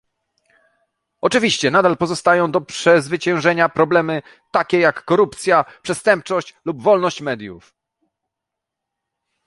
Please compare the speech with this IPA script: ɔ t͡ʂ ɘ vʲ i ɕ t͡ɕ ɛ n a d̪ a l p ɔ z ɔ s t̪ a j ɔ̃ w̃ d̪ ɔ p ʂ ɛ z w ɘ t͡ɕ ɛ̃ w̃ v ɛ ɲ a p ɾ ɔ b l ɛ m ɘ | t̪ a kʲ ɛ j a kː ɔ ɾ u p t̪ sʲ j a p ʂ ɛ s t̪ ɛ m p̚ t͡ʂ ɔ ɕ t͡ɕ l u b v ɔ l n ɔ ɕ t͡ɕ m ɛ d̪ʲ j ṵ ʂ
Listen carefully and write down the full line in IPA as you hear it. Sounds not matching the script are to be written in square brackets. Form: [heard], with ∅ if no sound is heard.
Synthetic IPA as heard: ɔ t͡ʂ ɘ vʲ i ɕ t͡ɕ ɛ n a d̪ a l p ɔ z ɔ s t̪ a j ɔ̃ w̃ d̪ ɔ p ʂ ɛ z [v] ɘ t͡ɕ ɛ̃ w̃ [ʐ] ɛ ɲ a p ɾ ɔ b l ɛ m ɘ | t̪ a kʲ ɛ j a kː ɔ ɾ u p t̪ sʲ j a p ʂ ɛ s t̪ ɛ m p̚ t͡ʂ ɔ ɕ t͡ɕ l u b v ɔ l n ɔ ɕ t͡ɕ m ɛ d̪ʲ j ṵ [f]